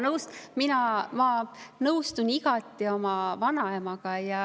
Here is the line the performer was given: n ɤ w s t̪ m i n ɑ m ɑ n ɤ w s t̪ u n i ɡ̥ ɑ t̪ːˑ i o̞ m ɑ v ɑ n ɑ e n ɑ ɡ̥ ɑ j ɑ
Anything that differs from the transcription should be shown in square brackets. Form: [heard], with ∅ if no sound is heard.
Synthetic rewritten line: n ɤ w s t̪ m i n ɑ m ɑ n ɤ w s t̪ u n i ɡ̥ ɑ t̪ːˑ i o̞ m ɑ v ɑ n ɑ e [m] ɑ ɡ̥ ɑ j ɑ